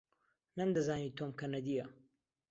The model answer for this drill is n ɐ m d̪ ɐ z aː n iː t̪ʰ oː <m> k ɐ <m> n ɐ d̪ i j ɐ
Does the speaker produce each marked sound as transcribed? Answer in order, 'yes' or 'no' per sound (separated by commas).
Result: yes, no